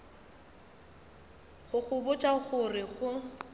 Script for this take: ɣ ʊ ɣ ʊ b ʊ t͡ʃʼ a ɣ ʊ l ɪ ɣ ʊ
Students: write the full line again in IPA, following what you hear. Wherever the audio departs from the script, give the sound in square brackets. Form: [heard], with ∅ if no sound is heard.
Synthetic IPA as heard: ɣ ʊ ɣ ʊ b ʊ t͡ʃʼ a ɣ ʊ [r] ɪ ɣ ʊ